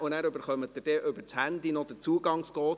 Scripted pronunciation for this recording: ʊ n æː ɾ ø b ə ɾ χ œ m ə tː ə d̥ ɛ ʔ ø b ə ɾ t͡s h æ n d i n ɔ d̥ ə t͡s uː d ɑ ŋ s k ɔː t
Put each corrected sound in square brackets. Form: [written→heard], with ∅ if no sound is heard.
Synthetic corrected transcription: ʊ n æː ɾ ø b ə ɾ χ œ m ə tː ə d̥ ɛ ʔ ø b ə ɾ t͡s h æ n d i n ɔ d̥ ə t͡s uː [d→ɡ] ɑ ŋ s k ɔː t